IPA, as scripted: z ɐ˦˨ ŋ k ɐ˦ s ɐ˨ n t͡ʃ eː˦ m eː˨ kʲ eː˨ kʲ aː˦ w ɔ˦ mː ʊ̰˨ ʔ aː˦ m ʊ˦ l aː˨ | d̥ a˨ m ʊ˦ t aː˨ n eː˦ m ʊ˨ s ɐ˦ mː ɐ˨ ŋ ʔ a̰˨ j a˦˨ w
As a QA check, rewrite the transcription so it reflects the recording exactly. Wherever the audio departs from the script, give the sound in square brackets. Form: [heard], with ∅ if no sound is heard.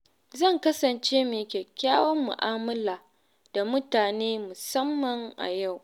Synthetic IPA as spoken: z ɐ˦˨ ŋ k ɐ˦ s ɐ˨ n t͡ʃ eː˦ m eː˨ kʲ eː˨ kʲ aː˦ w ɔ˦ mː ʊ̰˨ ʔ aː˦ m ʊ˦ l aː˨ | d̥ a˨ m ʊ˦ t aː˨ n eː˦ m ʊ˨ s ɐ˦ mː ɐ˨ ŋ ʔ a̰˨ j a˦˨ w

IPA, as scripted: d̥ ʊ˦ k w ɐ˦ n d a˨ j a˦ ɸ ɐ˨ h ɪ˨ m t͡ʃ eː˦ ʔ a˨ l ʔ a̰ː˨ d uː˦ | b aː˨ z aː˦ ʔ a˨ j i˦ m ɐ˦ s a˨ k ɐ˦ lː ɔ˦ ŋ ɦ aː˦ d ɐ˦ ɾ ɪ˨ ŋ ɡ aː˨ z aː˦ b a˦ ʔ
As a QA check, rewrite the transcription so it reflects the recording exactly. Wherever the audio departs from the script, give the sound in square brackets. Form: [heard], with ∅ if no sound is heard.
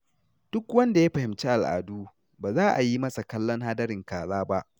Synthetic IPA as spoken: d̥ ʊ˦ k w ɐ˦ n d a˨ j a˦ ɸ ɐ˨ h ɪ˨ m t͡ʃ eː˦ ʔ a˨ l ʔ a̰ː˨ d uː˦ | b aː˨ z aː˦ ʔ a˨ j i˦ m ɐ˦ s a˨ k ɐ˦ lː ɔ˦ ŋ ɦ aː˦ d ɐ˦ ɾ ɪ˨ ŋ [k] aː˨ z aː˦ b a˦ ʔ

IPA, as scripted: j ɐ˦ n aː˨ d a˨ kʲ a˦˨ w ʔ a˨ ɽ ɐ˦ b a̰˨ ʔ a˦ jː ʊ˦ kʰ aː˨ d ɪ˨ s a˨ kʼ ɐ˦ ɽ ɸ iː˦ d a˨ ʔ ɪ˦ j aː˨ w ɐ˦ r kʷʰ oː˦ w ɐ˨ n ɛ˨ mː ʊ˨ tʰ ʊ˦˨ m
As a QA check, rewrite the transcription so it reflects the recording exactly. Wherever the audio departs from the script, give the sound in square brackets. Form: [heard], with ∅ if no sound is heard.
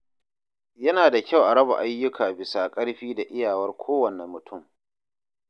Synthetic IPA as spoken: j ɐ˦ n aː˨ d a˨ kʲ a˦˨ w ʔ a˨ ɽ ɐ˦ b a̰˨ ʔ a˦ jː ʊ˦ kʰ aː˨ [b] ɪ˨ s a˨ kʼ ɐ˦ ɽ ɸ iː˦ d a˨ ʔ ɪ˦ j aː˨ w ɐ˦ r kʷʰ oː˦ w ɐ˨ n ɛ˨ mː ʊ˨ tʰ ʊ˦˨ m

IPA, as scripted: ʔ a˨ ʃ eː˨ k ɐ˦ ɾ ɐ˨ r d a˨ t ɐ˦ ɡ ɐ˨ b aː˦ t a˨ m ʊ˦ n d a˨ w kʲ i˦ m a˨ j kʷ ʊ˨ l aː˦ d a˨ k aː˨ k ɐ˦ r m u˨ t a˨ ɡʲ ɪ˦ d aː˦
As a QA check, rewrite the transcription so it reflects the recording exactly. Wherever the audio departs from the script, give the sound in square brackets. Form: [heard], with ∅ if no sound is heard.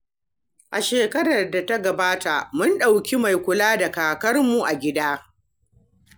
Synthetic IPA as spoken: ʔ a˨ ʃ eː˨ k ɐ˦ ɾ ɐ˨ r d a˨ t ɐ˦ ɡ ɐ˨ b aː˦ t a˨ m ʊ˦ n [ɗ] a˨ w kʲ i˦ m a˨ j kʷ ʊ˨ l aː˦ d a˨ k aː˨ k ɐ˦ r m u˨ [ʔ] a˨ ɡʲ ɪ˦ d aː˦

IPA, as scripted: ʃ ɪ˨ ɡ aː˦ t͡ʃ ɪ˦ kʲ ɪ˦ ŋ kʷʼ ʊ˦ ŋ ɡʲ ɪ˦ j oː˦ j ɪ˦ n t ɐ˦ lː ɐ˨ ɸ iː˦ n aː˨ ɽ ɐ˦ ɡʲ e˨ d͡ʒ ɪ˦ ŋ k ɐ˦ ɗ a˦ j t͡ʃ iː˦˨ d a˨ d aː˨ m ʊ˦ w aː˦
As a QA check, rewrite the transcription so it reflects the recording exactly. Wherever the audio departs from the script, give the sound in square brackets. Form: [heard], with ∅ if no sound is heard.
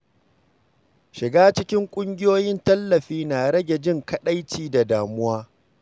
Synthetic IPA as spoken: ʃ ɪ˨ ɡ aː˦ t͡ʃ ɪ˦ kʲ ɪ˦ ŋ kʷʼ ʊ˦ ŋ ɡʲ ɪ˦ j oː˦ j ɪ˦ n t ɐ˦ lː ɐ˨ ɸ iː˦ n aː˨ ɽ ɐ˦ ɡʲ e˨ d͡ʒ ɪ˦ ŋ k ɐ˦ ɗ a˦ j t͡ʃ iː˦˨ d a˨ d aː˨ m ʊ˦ w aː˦

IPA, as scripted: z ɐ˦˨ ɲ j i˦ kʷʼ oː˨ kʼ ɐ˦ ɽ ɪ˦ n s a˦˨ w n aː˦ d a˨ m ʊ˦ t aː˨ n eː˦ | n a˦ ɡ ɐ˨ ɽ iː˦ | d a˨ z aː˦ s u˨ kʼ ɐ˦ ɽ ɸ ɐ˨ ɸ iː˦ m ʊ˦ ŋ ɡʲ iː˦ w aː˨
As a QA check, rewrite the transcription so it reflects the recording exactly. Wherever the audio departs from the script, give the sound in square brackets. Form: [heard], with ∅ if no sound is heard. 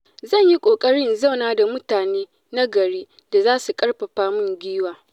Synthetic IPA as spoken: z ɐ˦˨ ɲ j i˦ kʷʼ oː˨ kʼ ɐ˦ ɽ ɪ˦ n [z] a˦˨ w n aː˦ d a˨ m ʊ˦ t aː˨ n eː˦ | n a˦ ɡ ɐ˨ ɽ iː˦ | d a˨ z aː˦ s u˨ kʼ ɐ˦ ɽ ɸ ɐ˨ ɸ [aː˦] m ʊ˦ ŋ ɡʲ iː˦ w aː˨

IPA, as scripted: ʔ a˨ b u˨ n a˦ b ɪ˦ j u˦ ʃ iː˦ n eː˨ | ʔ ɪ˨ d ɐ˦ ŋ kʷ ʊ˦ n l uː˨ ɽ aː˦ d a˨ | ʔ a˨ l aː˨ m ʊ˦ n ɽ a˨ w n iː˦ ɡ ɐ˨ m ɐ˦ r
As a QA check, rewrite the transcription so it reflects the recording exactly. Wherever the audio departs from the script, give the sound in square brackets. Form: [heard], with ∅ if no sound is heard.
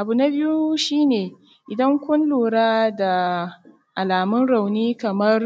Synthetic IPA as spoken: ʔ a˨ b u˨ n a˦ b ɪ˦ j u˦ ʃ iː˦ n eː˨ | ʔ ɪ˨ d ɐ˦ ŋ kʷ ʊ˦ n l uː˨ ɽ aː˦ d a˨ | ʔ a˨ l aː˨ m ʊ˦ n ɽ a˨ w n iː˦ [k] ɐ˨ m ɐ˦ r

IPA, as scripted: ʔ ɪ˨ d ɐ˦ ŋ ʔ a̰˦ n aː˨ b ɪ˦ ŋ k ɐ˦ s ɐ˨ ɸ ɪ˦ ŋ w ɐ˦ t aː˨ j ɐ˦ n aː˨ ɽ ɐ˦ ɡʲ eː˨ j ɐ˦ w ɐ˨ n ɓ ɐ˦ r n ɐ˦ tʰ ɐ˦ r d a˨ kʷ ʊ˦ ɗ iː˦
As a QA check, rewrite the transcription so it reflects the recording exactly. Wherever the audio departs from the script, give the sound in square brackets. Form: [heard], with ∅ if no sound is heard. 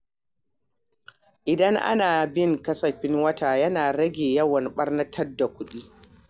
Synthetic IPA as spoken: ʔ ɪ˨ d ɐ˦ ŋ ʔ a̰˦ n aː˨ b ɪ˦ ŋ k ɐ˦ s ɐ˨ ɸ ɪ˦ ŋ w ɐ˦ t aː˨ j ɐ˦ n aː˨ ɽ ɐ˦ ɡʲ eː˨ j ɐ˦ w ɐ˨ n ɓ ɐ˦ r n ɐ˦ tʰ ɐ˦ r d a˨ kʷ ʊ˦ ɗ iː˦

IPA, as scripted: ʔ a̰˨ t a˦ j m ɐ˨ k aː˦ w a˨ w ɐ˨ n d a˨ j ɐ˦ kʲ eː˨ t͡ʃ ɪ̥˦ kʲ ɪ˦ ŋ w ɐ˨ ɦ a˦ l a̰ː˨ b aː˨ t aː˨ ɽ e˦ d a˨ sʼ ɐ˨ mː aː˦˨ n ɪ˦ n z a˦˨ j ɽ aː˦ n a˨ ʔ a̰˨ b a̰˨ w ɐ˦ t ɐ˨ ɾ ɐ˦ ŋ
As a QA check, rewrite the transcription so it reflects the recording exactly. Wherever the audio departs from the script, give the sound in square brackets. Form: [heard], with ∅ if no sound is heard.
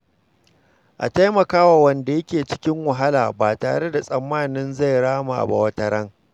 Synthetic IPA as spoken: ʔ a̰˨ t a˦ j m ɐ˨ k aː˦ w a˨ w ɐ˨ n d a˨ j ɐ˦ kʲ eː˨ t͡ʃ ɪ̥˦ kʲ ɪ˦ ŋ w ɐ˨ ɦ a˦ l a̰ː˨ b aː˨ t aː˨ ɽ e˦ d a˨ sʼ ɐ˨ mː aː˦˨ n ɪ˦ n z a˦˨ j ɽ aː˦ [m] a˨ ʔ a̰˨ b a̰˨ w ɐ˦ t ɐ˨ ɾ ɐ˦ ŋ

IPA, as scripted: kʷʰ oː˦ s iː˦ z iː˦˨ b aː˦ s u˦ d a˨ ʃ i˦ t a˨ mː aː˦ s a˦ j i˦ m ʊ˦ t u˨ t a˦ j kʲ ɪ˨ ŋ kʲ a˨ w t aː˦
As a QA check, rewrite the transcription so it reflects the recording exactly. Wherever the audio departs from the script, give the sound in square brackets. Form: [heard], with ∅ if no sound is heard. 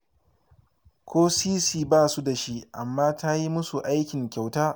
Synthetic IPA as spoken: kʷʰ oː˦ s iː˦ [s] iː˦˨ b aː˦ s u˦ d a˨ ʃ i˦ [ʔ] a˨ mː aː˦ [t] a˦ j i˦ m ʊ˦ [s] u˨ [ʔ] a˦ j kʲ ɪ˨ ŋ kʲ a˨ w t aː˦

